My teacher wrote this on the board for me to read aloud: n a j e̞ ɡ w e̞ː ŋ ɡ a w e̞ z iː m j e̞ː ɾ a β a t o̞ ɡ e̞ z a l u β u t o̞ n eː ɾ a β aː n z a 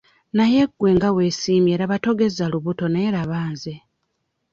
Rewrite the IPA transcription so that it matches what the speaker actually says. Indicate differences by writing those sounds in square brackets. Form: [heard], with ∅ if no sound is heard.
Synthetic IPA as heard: n a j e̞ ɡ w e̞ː ŋ ɡ a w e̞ [s] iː m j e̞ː ɾ a β a t o̞ ɡ e̞ z a l u β u t o̞ n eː ɾ a β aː n z [e]

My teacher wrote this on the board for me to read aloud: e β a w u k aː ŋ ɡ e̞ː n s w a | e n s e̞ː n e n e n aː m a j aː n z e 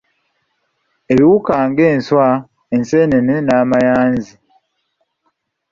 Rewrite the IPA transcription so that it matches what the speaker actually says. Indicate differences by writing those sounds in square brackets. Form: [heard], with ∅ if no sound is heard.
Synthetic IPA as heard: e β [i] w u k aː ŋ ɡ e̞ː n s w a | e n s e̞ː n e n e n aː m a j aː n z [i]

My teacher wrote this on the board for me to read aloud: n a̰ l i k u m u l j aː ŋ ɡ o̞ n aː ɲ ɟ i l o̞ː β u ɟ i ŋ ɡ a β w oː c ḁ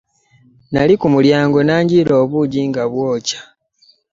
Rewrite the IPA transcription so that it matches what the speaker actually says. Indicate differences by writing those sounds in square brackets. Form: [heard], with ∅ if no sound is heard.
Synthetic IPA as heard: n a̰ l i k u m u l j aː ŋ ɡ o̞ n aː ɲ ɟ i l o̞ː β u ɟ i ŋ ɡ a β w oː c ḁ

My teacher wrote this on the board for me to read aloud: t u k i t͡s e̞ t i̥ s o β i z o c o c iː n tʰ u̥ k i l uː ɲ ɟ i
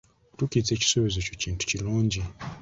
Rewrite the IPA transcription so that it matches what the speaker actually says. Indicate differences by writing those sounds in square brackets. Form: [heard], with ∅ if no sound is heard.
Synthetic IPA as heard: t u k i t͡s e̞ [c] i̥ s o β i z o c o c iː n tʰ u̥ [c] i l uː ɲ ɟ i

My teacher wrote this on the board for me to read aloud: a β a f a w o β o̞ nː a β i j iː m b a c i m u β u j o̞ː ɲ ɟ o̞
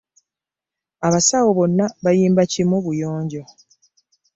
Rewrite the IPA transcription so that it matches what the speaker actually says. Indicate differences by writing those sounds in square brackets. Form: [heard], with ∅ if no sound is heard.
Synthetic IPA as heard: a β a [s] a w o β o̞ nː a β [a] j iː m b a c i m u β u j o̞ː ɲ ɟ o̞

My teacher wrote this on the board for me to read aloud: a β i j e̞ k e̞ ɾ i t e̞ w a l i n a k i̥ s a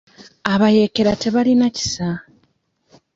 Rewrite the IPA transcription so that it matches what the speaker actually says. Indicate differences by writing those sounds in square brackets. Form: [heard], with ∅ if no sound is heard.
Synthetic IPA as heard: a β [a] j e̞ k e̞ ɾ [a] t e̞ [β] a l i n a [c] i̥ s a

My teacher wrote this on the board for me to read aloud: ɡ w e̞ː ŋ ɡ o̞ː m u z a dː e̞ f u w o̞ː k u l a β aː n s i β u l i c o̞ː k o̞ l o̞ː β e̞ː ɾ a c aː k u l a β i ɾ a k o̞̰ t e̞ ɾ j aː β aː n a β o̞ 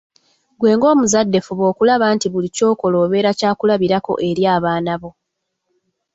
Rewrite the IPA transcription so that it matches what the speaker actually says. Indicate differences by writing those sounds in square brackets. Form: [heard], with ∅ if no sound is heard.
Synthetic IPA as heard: ɡ w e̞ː ŋ ɡ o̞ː m u z a dː e̞ f u [β] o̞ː k u l a β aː n [t] i β u l i c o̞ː k o̞ l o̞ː β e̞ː ɾ a c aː k u l a β i ɾ a k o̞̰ [ʔ] e̞ ɾ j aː β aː n a β o̞

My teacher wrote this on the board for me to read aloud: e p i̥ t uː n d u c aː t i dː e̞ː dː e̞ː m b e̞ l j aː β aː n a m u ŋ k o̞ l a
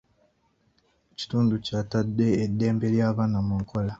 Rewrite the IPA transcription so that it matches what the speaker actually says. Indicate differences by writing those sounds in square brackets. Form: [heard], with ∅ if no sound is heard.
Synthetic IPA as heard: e [c] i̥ t uː n d u c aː t [a] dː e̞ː dː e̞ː m b e̞ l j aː β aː n a m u ŋ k o̞ l a

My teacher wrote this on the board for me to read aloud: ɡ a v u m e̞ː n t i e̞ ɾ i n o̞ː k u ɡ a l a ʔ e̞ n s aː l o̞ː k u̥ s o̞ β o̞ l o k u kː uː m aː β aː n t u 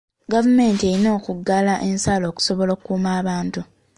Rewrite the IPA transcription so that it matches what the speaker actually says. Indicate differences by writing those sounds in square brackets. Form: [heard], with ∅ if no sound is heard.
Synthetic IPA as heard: ɡ a v u m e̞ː n t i e̞ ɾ i n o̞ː k u ɡ a l a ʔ e̞ n s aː l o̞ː k u̥ s o̞ β o̞ l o k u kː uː m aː β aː n t u

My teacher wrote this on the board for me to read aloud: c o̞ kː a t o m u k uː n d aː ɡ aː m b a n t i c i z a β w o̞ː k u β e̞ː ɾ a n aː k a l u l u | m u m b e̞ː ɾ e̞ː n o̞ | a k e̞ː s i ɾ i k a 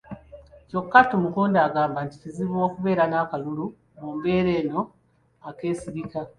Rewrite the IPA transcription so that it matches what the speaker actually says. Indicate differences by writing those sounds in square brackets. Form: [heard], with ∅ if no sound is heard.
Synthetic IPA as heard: c o̞ kː a t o m u k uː n d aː ɡ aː m b a n t i c i z [i] β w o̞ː k u β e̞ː ɾ a n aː k a l u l u | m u m b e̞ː ɾ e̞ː n o̞ | a k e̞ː s i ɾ i k a

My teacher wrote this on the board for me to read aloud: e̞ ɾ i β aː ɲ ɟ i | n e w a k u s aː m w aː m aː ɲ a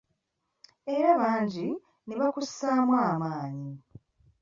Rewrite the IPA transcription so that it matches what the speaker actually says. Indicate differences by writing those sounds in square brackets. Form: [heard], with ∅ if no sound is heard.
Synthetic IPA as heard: e̞ ɾ [a] β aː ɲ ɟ i | n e [β] a k u s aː m w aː m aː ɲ [i]

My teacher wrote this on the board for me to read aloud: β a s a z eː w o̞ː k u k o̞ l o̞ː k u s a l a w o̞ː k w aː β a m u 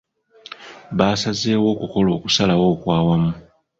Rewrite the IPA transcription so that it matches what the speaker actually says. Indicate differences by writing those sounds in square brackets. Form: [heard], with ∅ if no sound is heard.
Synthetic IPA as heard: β a s a z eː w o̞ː k u k o̞ l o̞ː k u s a l a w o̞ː k w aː [w] a m u

